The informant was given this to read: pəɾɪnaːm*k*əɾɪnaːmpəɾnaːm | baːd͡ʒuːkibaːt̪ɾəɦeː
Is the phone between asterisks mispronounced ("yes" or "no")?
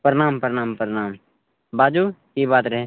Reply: yes